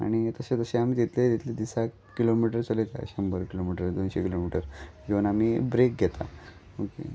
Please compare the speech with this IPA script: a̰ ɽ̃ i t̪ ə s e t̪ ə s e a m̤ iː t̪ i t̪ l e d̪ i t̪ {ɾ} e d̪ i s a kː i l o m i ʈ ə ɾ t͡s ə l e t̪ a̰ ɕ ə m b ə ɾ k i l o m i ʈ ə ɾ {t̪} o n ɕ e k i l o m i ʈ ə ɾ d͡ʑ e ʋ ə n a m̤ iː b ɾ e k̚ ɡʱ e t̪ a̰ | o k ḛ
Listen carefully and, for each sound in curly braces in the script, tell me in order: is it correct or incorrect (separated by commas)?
incorrect, incorrect